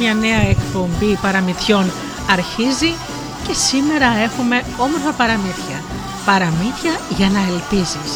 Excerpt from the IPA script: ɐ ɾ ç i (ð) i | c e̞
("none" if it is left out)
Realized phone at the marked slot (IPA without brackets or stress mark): z